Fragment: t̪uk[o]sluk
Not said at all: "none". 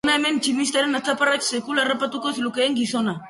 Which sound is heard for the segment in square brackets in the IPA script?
o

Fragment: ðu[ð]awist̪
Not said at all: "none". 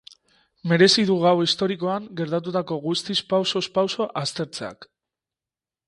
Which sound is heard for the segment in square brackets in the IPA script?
ɣ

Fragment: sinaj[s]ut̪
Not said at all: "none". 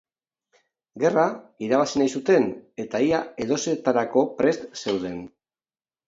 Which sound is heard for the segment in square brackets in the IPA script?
s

